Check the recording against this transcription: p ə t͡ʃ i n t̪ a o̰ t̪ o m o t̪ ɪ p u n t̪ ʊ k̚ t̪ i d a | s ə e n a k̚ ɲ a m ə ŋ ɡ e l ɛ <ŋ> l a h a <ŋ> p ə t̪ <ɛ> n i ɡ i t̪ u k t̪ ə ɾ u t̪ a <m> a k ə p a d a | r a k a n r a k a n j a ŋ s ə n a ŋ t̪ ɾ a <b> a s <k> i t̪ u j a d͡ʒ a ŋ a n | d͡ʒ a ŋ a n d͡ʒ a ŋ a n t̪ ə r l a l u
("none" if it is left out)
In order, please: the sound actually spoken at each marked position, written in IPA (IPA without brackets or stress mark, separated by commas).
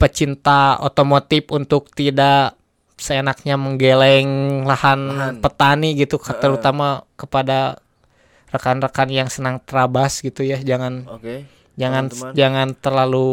ŋ, n, a, m, b, ɡ